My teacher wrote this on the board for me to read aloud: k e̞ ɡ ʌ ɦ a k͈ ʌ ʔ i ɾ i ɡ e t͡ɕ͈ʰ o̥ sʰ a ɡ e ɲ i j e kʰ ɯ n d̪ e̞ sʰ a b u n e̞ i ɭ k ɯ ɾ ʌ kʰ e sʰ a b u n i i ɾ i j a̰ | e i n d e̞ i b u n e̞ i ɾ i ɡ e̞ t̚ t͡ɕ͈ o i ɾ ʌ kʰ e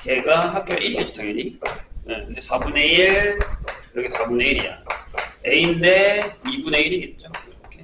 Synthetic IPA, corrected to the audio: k e̞ ɡ a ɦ a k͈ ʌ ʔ i ɾ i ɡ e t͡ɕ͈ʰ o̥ tʰ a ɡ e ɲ i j e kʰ ɯ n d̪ e̞ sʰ a b u n e̞ i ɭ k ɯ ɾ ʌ kʰ e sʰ a b u n e i ɾ i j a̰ | e i n d e̞ i b u n e̞ i ɾ i ɡ e̞ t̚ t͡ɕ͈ o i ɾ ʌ kʰ e